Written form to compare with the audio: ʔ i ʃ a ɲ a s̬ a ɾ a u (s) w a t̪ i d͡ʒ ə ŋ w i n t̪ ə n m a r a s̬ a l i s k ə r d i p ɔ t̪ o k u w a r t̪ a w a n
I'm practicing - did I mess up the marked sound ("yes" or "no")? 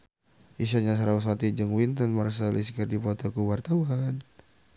no